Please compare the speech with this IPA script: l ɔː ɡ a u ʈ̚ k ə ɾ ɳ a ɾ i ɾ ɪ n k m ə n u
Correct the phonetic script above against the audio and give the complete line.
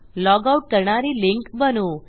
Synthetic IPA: l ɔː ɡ a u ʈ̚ k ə ɾ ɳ a ɾ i l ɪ ŋ k b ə n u

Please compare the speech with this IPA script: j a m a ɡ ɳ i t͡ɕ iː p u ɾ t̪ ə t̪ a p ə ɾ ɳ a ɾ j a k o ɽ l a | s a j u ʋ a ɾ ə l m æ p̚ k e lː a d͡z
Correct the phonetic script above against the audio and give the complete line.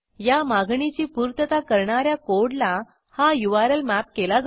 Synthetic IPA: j a m a ɡ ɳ i t͡ɕ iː p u ɾ t̪ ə t̪ a k ə ɾ ɳ a ɾ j a k o ɽ l a | h a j u ʋ a ɾ ə l m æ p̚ k e l a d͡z

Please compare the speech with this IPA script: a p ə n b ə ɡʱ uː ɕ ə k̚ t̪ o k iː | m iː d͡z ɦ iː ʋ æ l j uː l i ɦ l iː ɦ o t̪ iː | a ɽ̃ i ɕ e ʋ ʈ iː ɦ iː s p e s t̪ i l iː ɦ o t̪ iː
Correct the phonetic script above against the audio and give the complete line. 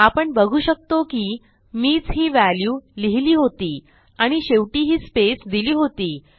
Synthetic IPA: a p ə ɳ b ə ɡʱ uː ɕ ə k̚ t̪ o k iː | m iː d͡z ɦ iː ʋ æ l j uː l i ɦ l iː ɦ o t̪ iː | a ɽ̃ i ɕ e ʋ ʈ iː ɦ iː s p e s d̪ i l iː ɦ o t̪ iː

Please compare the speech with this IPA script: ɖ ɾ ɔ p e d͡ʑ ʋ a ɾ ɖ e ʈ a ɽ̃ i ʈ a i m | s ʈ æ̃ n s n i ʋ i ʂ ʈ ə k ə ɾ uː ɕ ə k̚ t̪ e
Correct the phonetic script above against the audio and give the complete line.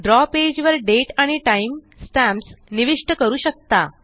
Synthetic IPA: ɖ ɾ ɔ p e d͡ʑ ʋ ə ɾ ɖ e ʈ a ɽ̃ i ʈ a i m | s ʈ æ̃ m s n i ʋ i ʂ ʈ ə k ə ɾ uː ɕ ə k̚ t̪ a

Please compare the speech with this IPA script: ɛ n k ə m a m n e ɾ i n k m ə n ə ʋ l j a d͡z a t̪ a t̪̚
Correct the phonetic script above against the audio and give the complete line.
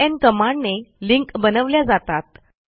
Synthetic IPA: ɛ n k ə m a ɳ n e l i ŋ k b ə n ə ʋ l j a d͡z a t̪ a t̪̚

